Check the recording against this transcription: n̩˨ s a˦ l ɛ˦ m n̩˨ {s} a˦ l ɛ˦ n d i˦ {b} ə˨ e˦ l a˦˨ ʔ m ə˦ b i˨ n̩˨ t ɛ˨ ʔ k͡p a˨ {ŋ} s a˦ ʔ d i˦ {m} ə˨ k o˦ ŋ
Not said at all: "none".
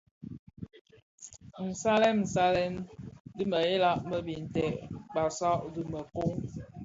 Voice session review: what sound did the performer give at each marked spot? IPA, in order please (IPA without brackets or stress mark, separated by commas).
s, m, none, m